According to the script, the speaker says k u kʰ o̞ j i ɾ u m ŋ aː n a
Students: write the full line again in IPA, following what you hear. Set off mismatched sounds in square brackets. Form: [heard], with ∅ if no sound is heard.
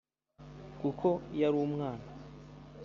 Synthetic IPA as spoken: k u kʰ o̞ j [a] ɾ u m ŋ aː n a